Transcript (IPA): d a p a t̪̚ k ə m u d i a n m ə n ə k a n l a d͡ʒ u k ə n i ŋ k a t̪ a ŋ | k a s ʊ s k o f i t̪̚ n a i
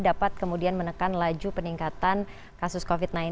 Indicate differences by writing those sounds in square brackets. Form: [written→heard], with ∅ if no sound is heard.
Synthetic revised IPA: d a p a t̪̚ k ə m u d i a n m ə n ə k a n l a d͡ʒ u [k→p] ə n i ŋ k a t̪ a [ŋ→n] | k a s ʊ s k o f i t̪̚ n a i